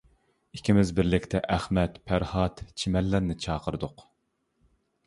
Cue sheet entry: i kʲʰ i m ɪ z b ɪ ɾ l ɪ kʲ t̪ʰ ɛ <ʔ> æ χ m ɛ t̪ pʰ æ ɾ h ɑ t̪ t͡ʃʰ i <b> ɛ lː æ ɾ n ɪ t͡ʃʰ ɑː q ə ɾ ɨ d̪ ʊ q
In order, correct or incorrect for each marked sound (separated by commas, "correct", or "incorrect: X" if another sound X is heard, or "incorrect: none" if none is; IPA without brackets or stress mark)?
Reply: correct, incorrect: m